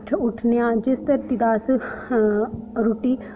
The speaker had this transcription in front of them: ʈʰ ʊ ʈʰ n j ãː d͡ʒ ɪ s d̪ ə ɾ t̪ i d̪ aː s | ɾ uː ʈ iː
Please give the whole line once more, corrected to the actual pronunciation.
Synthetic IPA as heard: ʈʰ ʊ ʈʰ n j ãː d͡ʒ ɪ s t̪ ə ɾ t̪ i d̪ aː s | ɾ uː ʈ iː